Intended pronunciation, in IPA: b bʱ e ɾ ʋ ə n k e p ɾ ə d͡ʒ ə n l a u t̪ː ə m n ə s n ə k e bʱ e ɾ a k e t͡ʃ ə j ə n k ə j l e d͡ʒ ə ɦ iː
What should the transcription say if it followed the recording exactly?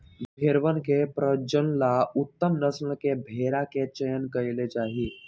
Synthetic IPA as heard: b bʱ e ɾ ʋ ə n k e p ɾ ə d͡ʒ ə n l a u t̪ː ə m n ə s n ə k e bʱ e ɾ a k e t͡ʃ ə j ə n k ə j l e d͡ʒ a ɦ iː